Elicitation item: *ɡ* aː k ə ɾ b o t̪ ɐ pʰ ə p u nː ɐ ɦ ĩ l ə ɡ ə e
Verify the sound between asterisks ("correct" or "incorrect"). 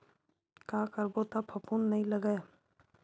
incorrect